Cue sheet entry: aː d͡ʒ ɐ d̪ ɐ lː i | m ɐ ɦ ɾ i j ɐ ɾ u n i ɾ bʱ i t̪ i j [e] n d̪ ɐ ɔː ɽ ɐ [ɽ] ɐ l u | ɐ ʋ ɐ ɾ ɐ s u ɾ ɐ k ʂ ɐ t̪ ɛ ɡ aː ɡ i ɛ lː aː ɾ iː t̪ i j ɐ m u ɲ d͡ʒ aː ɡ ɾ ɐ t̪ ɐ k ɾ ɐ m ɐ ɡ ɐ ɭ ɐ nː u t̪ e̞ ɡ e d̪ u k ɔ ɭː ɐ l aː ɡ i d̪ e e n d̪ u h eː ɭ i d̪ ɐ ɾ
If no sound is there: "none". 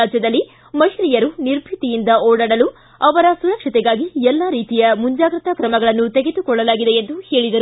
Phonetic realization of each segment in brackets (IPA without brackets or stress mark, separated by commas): i, ɽ